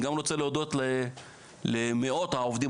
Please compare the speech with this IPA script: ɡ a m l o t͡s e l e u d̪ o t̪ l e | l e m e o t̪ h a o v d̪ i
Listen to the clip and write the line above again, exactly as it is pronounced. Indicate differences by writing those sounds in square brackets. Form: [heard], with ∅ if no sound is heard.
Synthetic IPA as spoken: ɡ a m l o t͡s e l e [o] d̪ o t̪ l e | l e m e o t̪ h a o v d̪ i